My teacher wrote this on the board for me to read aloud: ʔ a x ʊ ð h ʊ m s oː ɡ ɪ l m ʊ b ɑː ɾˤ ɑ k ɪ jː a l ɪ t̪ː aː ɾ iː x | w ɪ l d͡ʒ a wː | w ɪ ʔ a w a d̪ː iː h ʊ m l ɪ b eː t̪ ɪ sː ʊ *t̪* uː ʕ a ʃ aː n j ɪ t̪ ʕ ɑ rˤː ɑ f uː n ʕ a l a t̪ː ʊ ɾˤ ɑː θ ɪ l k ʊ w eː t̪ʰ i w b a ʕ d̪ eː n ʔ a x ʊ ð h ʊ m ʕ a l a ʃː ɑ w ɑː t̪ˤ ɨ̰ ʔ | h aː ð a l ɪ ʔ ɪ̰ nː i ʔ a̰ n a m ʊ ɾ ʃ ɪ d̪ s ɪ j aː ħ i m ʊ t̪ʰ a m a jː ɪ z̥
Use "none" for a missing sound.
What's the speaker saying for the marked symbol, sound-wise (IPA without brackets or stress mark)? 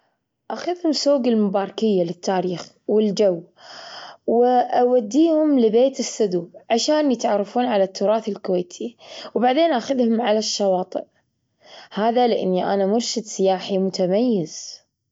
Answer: d̪